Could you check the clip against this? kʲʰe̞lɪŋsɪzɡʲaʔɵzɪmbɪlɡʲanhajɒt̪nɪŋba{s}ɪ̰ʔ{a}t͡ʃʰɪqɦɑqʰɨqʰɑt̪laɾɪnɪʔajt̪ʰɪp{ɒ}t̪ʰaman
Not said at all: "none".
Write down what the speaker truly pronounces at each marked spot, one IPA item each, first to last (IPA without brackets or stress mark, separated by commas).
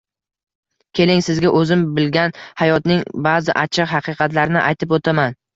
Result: z, a, o